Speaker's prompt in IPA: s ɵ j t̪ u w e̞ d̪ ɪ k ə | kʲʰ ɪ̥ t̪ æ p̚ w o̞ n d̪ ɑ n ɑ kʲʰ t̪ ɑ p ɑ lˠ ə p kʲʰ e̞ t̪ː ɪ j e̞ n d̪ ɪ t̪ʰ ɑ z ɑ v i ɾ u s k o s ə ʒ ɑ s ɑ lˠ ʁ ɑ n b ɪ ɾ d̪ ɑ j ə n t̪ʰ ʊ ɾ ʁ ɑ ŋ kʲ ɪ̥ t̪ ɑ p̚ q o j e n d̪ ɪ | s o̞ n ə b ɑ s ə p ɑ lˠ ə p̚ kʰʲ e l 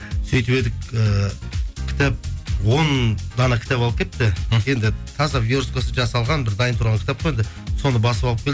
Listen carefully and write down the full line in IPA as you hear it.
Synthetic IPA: s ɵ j t̪ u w e̞ d̪ ɪ k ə | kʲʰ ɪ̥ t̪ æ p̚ w o̞ n d̪ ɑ n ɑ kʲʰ t̪ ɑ p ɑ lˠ ə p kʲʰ e̞ t̪ː ɪ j e̞ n d̪ ɪ t̪ʰ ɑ z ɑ v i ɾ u s k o s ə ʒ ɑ s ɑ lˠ ʁ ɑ n b ɪ ɾ d̪ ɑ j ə n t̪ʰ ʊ ɾ ʁ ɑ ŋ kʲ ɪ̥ t̪ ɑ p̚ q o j e n d̪ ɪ | s o̞ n ə b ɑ s ə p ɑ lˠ ə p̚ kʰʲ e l